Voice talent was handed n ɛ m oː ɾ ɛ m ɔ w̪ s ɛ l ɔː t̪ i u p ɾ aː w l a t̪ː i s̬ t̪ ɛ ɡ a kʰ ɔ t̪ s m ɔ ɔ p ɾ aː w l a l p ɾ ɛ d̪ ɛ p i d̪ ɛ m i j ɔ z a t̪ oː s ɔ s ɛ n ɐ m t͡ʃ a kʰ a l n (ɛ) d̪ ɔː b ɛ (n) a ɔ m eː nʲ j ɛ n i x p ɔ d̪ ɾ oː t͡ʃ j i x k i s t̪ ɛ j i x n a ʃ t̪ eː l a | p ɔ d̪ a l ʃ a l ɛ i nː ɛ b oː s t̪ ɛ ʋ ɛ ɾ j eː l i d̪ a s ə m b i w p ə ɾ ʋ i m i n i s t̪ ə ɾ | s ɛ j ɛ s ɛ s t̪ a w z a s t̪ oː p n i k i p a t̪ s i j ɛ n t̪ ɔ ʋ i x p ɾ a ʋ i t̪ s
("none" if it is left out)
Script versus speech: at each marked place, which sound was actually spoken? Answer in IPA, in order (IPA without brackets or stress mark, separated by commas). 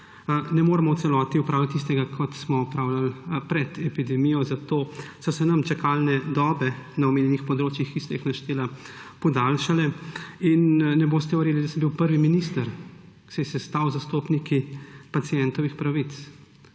ɛ, n